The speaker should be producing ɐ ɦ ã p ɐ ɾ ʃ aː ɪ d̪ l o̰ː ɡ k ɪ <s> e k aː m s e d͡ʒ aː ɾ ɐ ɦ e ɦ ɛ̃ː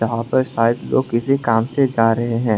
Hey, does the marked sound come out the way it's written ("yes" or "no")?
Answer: yes